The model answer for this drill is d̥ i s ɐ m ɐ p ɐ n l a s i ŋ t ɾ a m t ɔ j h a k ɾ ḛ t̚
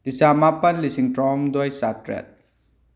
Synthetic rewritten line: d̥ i s a m a p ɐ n l i s i ŋ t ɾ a m d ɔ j s a t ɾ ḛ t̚